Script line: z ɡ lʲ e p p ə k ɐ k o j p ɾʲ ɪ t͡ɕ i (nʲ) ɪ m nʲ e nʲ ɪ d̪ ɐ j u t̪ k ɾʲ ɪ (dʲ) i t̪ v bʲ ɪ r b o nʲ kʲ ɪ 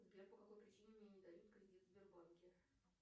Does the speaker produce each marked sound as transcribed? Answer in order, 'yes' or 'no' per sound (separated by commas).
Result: yes, yes